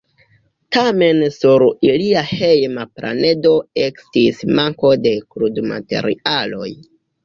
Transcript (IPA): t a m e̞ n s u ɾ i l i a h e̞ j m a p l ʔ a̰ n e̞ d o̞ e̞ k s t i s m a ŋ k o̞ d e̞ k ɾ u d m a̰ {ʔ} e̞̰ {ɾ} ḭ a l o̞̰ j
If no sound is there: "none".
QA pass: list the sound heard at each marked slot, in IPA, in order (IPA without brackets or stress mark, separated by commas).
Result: t, ɾ